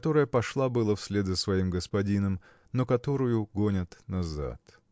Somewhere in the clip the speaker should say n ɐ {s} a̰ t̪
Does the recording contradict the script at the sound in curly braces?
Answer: yes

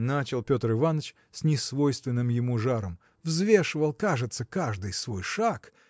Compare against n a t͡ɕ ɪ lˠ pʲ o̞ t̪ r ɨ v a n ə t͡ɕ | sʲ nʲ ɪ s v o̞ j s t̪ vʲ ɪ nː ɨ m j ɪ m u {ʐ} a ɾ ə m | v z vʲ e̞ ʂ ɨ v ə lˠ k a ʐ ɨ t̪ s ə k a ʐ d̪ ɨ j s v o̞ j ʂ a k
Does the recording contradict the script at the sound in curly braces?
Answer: no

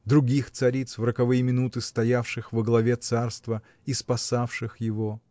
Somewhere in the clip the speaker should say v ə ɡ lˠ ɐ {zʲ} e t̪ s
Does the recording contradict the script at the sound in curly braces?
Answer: yes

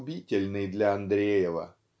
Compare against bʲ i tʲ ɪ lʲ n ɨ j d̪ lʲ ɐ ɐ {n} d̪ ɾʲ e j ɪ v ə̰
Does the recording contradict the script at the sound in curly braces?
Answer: no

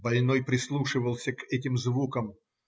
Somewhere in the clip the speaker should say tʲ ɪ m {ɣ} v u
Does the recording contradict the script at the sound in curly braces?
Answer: yes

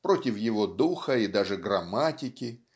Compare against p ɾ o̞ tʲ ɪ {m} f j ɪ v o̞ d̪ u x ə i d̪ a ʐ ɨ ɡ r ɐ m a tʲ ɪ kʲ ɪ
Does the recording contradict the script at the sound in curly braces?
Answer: yes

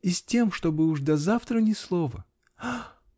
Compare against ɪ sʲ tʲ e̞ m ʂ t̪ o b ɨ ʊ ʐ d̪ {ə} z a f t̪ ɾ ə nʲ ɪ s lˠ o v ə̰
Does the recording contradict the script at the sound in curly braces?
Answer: yes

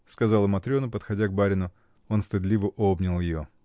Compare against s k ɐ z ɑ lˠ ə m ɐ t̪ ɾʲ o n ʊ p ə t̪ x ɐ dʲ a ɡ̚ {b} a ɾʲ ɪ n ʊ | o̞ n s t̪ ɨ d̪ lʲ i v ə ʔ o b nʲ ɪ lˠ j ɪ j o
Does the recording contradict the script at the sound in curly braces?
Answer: no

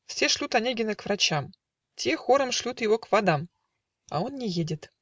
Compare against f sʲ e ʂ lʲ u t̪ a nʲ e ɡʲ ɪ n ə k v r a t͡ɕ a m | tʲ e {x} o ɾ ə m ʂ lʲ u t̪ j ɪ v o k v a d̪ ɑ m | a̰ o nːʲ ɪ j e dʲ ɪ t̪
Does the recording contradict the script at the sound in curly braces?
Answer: no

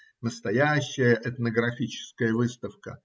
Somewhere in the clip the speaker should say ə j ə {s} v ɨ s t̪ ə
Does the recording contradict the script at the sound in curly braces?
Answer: yes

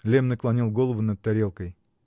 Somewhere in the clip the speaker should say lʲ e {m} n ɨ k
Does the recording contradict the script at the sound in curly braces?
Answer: no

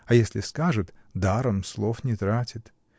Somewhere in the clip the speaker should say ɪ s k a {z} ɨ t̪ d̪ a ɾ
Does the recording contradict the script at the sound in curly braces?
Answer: yes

